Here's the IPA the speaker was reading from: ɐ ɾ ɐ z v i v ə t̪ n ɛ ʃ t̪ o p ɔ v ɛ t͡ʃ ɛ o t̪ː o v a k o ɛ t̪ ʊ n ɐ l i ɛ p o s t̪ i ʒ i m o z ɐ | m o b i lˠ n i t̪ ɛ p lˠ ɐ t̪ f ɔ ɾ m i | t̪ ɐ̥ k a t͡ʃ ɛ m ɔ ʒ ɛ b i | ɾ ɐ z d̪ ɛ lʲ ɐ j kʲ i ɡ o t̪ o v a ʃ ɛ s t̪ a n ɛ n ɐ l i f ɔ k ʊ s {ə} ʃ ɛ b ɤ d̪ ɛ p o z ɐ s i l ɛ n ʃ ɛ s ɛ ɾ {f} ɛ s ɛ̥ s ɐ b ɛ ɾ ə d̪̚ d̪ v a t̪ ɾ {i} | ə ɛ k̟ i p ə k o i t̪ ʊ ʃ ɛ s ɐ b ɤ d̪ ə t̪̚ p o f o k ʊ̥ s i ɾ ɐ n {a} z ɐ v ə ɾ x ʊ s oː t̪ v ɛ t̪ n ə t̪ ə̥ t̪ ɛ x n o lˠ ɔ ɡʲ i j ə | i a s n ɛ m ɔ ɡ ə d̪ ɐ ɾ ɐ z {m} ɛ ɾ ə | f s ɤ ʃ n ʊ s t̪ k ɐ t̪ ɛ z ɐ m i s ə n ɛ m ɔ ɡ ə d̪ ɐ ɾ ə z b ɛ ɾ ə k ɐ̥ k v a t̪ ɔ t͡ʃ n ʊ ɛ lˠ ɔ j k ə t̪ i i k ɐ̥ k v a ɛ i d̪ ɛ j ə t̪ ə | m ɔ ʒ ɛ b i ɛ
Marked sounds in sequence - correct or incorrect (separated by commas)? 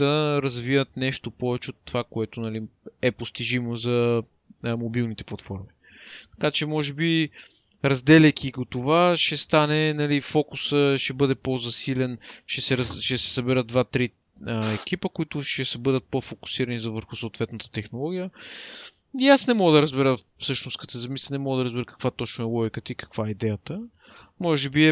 correct, incorrect, correct, incorrect, incorrect